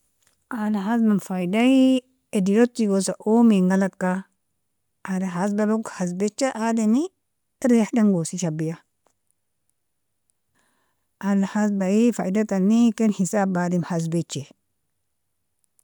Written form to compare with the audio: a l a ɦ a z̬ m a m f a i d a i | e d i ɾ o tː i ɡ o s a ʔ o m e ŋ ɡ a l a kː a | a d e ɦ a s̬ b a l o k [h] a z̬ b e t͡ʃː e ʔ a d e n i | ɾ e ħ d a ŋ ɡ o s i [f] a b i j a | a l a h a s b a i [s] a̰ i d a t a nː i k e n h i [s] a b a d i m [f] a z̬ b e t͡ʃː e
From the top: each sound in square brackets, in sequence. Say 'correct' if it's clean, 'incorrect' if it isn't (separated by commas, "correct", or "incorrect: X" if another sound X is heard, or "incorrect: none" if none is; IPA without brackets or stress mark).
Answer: correct, incorrect: ʃ, incorrect: f, correct, incorrect: h